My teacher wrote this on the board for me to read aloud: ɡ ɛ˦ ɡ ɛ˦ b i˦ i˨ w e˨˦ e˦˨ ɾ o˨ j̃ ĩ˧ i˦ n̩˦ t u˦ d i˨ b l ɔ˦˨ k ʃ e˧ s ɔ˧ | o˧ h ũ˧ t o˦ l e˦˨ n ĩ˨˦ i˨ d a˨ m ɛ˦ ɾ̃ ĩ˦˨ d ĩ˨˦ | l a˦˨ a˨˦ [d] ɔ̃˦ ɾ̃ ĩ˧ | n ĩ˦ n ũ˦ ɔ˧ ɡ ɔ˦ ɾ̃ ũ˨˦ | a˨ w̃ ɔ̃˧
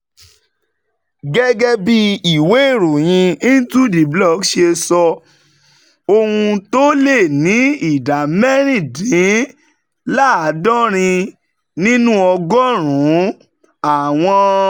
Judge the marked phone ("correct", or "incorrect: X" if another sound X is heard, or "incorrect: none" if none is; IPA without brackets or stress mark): correct